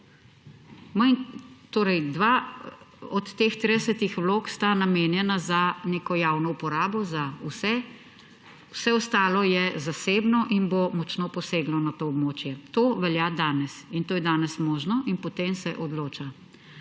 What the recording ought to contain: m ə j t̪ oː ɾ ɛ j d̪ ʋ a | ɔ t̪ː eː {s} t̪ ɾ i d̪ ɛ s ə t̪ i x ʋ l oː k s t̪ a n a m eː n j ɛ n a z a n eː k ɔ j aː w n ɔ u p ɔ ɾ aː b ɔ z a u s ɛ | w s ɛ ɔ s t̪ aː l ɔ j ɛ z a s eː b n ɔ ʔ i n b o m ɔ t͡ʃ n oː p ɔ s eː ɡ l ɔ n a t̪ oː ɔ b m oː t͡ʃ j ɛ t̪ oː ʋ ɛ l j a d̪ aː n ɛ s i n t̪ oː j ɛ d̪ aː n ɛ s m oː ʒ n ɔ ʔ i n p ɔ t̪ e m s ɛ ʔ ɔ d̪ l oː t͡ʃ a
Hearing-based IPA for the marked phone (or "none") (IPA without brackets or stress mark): x